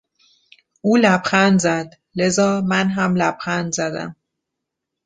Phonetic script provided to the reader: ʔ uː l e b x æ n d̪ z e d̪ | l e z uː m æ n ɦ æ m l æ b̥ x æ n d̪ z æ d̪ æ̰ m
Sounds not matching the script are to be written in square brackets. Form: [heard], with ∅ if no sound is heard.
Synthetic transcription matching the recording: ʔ uː l [æ] b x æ n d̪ z [æ] d̪ | l e z [ɒː] m æ n ɦ æ m l æ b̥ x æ n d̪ z æ d̪ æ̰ m